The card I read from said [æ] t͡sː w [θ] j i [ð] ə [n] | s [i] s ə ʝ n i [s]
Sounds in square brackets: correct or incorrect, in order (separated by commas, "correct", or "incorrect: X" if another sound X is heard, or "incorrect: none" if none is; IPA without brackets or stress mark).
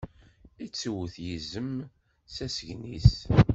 incorrect: i, correct, incorrect: z, incorrect: m, incorrect: æ, correct